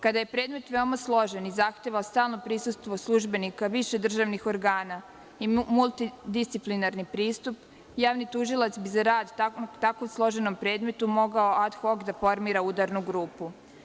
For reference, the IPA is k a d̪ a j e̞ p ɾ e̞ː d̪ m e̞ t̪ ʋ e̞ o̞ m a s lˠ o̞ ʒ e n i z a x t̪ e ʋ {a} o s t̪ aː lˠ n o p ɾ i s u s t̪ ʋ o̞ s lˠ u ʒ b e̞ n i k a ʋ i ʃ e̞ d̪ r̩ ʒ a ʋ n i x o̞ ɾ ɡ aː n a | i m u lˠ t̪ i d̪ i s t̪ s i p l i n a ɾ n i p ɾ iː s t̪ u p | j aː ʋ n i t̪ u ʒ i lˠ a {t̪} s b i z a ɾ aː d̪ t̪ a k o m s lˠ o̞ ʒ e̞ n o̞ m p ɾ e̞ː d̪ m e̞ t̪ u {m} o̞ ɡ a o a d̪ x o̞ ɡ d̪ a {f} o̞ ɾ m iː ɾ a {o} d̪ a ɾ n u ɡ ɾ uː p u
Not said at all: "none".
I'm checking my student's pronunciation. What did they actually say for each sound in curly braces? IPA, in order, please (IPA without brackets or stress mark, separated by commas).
a, t̪, m, f, u